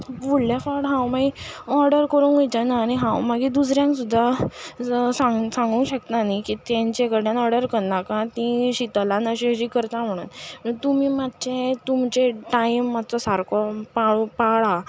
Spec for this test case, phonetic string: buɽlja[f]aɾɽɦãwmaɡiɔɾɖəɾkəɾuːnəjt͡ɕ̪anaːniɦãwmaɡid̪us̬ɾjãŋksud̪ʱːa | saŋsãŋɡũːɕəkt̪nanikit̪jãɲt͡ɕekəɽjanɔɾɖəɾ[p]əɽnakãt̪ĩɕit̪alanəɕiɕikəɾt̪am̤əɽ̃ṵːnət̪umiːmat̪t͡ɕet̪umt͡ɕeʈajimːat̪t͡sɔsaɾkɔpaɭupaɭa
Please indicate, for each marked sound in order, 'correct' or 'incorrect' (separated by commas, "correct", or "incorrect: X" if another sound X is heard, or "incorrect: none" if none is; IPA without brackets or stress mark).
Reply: correct, incorrect: k